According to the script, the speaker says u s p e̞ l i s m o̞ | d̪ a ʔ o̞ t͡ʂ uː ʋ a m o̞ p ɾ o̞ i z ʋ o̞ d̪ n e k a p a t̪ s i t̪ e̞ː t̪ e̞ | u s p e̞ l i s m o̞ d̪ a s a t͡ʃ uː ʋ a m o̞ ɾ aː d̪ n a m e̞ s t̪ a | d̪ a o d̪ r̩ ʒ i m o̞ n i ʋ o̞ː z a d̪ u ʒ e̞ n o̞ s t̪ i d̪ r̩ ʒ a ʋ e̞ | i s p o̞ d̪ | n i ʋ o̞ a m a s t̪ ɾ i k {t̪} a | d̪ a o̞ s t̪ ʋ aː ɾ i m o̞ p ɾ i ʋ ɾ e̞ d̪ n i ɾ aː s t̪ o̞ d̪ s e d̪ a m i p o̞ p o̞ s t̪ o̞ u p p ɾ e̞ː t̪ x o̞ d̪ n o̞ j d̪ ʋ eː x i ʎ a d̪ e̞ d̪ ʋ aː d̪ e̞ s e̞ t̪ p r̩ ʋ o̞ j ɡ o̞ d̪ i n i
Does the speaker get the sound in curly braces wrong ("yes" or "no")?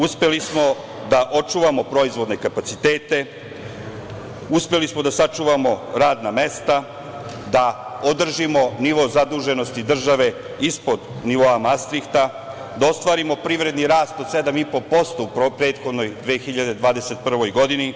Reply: no